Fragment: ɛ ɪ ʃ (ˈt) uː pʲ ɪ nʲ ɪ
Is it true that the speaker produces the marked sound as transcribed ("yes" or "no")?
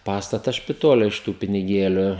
yes